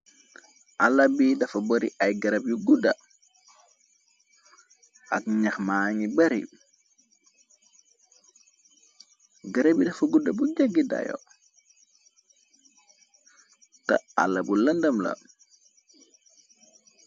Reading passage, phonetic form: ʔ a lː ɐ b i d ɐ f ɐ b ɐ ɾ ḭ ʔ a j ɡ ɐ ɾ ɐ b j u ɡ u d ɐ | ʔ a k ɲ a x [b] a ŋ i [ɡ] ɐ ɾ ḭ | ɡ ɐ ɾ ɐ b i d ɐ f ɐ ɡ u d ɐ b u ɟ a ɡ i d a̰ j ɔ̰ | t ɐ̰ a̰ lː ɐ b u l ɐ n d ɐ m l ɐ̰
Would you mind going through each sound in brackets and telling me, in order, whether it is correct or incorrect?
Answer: incorrect: m, incorrect: b

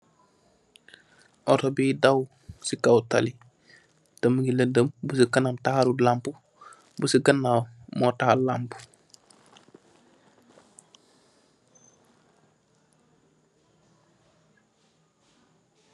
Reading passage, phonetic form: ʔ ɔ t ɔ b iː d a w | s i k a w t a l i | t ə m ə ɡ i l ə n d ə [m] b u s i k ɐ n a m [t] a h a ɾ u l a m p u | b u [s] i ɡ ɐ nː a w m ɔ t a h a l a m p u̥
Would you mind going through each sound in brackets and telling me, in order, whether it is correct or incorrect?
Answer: correct, correct, correct

